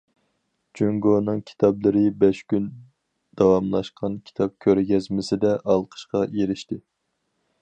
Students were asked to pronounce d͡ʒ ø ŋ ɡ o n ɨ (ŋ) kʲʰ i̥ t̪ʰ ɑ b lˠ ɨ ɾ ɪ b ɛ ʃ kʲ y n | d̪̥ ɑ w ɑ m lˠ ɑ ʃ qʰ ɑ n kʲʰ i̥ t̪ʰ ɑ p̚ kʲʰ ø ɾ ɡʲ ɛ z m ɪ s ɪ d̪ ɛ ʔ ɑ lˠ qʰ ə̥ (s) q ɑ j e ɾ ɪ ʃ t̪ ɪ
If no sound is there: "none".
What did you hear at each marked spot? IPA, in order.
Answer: ŋ, ʃ

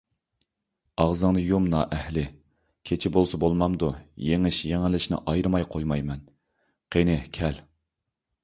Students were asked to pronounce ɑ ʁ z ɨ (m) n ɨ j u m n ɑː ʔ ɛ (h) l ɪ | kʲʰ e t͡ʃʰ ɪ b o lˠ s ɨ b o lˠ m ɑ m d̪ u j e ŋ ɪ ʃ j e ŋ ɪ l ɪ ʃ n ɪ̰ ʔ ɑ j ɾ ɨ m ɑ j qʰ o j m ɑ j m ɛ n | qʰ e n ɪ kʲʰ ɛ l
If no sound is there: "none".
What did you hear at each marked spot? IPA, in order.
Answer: ŋ, h

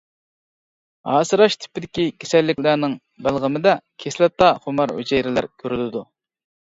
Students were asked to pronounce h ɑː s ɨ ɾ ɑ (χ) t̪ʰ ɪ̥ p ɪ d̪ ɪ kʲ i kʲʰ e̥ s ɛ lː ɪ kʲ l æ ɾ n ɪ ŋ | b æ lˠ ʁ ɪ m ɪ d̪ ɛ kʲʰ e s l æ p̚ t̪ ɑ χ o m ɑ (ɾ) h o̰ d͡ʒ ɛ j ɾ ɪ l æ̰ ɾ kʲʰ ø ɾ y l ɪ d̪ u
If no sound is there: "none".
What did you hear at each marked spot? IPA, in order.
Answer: ʃ, ɾ

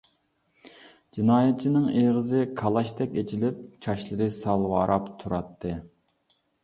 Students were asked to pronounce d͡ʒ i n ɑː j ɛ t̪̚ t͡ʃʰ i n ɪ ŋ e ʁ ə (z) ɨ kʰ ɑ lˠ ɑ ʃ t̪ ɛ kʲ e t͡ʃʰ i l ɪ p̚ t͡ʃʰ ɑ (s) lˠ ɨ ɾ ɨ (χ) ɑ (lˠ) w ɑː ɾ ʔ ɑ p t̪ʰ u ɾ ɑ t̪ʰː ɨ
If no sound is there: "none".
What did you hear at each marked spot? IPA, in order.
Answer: z, ʃ, s, lˠ

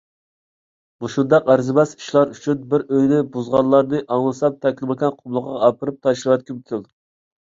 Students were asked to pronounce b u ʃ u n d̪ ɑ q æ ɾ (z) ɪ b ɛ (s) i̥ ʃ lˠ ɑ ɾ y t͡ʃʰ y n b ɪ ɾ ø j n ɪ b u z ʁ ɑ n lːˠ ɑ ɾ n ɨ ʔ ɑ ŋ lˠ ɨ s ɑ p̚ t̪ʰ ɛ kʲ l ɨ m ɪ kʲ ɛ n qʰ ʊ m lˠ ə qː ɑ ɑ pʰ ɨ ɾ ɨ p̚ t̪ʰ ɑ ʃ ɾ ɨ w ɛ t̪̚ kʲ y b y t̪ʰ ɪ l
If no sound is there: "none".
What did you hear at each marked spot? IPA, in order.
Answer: z, s

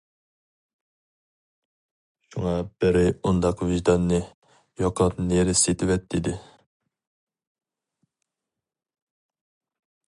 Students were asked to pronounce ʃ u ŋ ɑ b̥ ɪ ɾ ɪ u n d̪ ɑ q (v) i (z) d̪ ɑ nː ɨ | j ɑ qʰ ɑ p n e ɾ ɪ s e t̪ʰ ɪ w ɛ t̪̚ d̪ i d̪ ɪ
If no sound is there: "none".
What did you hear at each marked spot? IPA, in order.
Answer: v, ʒ

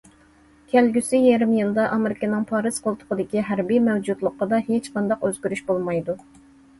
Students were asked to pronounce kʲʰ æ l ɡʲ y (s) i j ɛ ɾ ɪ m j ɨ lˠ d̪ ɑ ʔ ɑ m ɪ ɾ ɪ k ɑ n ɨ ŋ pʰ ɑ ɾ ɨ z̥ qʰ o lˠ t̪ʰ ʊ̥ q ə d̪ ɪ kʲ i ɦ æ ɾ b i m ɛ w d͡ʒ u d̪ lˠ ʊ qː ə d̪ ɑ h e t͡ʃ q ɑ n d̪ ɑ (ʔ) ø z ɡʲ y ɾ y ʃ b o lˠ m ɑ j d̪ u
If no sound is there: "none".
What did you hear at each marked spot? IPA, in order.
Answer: s, q

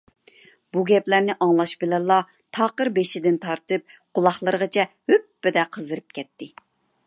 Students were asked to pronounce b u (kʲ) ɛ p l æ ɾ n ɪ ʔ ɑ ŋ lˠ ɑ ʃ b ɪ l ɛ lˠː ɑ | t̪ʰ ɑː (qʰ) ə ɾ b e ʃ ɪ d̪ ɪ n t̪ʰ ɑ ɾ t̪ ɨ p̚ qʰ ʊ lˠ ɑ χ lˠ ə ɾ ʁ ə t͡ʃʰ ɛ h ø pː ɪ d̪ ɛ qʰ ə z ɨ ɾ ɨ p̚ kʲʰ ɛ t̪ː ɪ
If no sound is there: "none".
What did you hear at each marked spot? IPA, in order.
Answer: ɡʲ, q

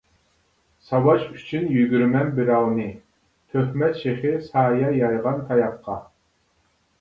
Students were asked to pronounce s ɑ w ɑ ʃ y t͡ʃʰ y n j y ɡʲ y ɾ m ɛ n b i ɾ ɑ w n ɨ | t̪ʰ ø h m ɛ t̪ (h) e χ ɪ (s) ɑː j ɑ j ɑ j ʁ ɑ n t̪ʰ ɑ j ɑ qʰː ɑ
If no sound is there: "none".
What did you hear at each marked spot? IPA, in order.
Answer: ʃ, s

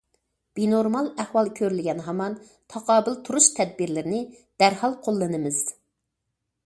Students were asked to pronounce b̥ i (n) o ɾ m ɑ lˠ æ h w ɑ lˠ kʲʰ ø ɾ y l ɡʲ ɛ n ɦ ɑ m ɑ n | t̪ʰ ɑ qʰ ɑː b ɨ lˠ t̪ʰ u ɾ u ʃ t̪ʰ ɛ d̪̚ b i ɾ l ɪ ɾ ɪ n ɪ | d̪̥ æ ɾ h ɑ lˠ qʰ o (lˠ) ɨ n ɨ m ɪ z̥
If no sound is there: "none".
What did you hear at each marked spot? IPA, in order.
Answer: n, lˠː

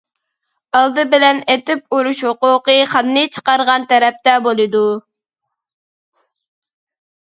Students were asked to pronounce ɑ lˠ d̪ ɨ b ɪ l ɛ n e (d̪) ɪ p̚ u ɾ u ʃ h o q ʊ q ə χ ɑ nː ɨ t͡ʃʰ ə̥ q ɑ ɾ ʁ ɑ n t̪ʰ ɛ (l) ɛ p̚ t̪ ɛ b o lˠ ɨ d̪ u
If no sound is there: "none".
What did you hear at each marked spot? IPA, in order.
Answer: t̪, ɾ

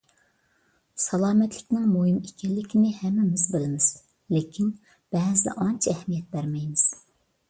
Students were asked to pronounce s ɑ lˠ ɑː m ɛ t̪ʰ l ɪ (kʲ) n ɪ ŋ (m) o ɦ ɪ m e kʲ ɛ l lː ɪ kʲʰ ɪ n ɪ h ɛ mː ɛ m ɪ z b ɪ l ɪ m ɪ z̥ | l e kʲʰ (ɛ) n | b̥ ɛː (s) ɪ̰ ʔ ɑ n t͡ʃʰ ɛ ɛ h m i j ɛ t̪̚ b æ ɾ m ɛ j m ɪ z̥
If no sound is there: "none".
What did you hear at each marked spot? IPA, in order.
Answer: kʲ, m, i, z

